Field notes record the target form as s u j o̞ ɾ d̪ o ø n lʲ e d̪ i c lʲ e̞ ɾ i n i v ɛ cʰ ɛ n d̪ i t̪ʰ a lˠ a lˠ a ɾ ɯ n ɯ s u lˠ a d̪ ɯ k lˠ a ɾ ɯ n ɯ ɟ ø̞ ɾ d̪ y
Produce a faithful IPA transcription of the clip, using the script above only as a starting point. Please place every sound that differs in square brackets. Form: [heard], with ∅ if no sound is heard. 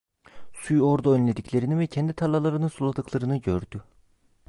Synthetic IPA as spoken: s u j o̞ ɾ d̪ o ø n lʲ e d̪ i c lʲ e̞ ɾ i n i v ɛ cʰ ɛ n d̪ i t̪ʰ a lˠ a lˠ a ɾ ɯ n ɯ s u lˠ a d̪ ɯ k lˠ a ɾ ɯ n ɯ ɟ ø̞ ɾ d̪ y